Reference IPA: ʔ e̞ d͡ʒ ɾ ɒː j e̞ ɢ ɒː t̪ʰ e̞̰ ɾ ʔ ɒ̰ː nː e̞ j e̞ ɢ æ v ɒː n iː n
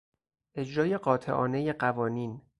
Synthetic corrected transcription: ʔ e̞ d͡ʒ ɾ ɒː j e̞ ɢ ɒː t̪ʰ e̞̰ ʔ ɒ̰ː n e̞ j e̞ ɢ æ v ɒː n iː n